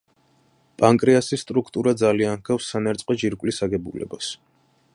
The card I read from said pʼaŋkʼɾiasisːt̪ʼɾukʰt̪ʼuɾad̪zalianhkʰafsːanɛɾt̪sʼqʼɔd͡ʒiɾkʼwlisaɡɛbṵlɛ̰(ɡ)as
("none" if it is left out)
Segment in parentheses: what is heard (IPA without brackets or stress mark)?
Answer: b